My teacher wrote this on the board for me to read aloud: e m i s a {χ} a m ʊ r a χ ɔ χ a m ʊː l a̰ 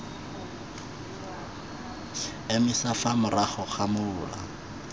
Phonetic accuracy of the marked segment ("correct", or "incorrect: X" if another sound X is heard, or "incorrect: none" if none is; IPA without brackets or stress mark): incorrect: f